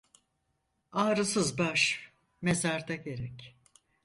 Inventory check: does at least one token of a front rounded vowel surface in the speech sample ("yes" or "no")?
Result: no